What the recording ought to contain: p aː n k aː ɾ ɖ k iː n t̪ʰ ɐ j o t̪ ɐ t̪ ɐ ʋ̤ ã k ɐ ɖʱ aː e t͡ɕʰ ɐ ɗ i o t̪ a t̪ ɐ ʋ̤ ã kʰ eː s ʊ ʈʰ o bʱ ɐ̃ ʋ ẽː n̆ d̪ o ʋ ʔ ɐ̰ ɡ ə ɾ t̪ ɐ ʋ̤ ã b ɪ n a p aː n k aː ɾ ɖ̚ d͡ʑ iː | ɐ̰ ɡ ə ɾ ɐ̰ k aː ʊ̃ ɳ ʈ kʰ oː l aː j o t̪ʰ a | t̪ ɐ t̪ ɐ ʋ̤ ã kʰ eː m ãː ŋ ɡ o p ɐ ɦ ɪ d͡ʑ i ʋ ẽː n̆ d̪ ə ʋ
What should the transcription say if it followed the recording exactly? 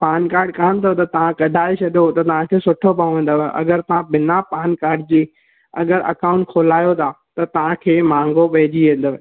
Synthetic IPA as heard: p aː n k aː ɾ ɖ k aː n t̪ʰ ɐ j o t̪ ɐ t̪ ɐ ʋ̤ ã k ɐ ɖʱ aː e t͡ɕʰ ɐ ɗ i o t̪ ɐ t̪ ɐ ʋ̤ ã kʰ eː s ʊ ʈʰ o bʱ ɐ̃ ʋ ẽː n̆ d̪ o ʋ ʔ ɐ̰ ɡ ə ɾ t̪ ɐ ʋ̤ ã b ɪ n a p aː n k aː ɾ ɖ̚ d͡ʑ iː | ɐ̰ ɡ ə ɾ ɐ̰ k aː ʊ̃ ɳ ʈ kʰ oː l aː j o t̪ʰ a | t̪ ɐ t̪ ɐ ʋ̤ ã kʰ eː m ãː ŋ ɡ o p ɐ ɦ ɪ d͡ʑ i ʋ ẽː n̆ d̪ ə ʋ